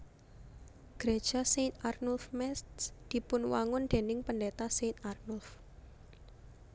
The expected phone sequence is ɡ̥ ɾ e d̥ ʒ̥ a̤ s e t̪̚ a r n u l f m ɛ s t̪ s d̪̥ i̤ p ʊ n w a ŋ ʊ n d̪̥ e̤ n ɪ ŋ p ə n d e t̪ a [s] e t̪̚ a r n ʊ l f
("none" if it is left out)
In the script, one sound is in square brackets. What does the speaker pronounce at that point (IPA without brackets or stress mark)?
s